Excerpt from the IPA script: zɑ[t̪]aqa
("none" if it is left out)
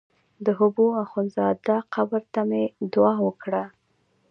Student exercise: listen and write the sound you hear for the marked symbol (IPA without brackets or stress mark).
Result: d̪